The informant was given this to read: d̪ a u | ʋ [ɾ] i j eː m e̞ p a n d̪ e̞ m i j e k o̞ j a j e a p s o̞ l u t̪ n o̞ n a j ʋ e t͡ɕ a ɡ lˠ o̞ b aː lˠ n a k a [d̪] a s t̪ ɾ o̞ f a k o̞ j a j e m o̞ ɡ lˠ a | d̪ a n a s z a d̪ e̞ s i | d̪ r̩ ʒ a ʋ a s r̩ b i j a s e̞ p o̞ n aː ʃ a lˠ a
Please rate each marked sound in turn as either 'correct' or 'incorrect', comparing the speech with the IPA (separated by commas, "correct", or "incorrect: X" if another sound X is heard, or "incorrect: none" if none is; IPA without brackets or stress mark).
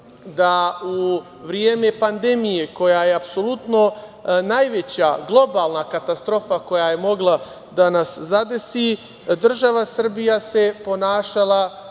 correct, incorrect: t̪